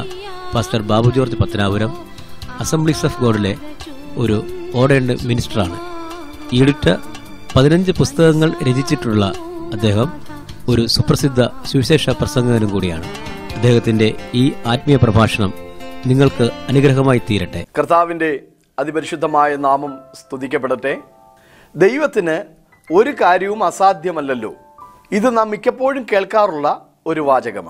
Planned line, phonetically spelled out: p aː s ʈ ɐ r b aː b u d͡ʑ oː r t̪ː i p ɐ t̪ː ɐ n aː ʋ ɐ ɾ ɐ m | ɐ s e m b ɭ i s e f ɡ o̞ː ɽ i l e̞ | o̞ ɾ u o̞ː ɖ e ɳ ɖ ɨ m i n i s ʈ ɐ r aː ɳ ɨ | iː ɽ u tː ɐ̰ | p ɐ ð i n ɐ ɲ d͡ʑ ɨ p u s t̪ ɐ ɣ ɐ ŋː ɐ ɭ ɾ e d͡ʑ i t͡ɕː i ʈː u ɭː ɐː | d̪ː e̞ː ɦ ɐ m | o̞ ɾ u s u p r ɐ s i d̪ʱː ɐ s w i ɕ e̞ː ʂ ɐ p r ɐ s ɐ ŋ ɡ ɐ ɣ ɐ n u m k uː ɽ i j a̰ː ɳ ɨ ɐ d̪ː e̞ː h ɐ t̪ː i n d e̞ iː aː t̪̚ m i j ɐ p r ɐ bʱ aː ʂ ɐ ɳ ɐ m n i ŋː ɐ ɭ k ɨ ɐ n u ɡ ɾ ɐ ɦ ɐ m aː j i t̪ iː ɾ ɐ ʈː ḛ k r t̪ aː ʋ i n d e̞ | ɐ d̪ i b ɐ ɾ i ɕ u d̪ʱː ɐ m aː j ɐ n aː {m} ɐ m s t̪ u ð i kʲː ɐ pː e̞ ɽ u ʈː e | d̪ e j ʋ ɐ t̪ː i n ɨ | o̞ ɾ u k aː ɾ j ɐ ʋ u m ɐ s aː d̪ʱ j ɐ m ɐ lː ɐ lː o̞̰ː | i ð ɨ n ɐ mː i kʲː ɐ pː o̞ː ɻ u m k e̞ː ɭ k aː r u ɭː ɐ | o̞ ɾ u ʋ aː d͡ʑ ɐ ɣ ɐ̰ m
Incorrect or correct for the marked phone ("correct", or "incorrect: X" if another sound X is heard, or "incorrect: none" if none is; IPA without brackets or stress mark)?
correct